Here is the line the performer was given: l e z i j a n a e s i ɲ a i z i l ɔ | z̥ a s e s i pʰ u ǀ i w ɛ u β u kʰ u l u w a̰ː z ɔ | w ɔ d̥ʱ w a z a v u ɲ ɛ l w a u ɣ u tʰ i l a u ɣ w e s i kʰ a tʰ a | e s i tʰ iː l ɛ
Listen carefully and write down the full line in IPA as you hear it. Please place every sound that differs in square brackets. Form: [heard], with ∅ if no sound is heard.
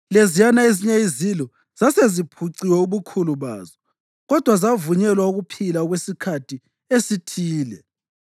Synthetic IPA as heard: l e z i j a n a e [z] i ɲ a i z i l ɔ | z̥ a s e [z] i pʰ u ǀ i w ɛ u β u kʰ u l u [β] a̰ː z ɔ | [ɣ] ɔ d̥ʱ w a z a v u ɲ ɛ l w a u ɣ u [pʰ] i l a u ɣ w e s i kʰ a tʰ [i] | e s i tʰ iː l ɛ